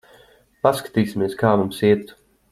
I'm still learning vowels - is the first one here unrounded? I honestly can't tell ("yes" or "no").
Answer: yes